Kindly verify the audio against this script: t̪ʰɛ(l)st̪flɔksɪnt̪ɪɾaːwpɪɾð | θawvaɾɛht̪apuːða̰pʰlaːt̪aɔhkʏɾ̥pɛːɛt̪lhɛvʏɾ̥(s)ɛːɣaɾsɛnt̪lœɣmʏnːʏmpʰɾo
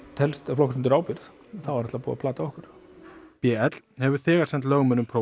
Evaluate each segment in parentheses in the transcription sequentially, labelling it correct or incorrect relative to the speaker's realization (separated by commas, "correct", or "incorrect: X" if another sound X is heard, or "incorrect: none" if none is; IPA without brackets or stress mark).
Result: correct, incorrect: θ